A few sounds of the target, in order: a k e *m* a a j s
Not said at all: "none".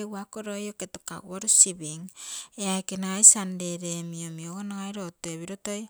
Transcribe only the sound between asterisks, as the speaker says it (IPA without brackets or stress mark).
n